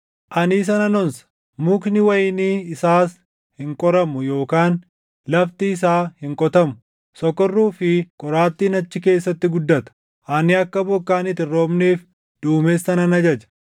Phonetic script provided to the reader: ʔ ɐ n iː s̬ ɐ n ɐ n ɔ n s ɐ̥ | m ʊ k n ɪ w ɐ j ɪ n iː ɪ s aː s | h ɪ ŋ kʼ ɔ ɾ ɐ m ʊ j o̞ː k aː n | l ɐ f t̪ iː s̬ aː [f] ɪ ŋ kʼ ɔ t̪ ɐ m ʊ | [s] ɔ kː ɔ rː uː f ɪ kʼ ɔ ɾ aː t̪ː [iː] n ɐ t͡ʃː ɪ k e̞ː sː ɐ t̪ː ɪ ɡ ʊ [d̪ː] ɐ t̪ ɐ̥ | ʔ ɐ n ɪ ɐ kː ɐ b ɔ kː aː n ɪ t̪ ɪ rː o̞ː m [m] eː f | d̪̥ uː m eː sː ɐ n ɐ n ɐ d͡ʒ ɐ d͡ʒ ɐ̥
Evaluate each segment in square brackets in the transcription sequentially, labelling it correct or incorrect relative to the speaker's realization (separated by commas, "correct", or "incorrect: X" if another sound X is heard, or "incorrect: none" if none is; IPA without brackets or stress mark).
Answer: incorrect: h, correct, correct, correct, incorrect: n